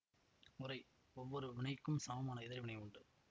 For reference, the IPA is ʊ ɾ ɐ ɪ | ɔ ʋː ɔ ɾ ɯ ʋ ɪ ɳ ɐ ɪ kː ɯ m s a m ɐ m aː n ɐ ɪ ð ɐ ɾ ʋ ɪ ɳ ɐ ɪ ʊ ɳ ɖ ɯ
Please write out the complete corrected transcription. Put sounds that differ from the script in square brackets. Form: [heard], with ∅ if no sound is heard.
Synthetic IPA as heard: ʊ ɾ ɐ ɪ | ɔ ʋː ɔ ɾ ɯ ʋ ɪ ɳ ɐ ɪ kː ɯ m s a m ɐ m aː n ɐ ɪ ð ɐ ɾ ʋ ɪ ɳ ɐ ɪ ʊ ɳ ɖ ɯ